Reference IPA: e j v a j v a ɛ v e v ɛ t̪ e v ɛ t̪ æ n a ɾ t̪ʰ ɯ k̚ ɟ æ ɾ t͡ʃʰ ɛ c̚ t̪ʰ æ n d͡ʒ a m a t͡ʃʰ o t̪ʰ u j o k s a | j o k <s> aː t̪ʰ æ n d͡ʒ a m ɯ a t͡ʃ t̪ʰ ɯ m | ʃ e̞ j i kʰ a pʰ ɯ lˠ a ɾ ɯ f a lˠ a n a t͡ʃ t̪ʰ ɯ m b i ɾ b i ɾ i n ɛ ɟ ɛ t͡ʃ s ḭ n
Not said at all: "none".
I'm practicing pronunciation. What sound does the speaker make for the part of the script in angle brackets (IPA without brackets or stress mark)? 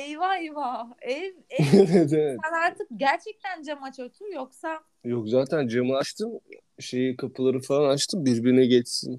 z